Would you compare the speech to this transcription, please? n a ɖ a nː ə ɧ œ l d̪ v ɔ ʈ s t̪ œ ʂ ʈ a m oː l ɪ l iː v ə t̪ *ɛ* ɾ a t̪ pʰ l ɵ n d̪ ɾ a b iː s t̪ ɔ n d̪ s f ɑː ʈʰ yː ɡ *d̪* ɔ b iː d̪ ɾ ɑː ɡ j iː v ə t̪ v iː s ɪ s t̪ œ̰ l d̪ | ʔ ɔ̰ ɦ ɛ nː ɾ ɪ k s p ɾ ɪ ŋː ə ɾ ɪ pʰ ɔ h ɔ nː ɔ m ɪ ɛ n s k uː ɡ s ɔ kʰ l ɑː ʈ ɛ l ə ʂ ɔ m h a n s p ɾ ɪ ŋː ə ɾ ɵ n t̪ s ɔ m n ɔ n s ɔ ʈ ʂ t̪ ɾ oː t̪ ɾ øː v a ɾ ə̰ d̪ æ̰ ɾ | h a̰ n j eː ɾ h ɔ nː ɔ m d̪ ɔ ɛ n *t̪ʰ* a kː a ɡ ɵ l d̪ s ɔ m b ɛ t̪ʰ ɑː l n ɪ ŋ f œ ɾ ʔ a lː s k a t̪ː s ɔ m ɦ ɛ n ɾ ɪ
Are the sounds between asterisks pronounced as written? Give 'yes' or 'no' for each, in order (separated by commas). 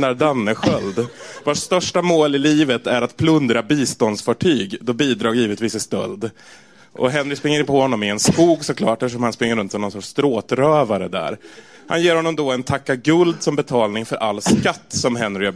no, yes, yes